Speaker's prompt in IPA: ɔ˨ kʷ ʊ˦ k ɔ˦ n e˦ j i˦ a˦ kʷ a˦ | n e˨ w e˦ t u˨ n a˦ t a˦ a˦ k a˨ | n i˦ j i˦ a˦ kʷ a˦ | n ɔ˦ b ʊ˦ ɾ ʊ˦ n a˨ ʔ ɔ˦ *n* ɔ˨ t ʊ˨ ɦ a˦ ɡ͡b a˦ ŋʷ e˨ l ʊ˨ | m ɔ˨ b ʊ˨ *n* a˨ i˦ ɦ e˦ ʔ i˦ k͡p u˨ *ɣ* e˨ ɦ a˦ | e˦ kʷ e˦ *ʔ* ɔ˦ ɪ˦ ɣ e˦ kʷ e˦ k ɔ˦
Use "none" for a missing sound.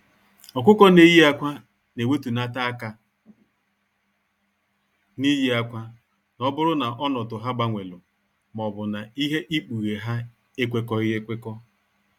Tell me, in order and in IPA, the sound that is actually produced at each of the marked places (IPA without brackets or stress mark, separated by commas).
n, n, ɣ, k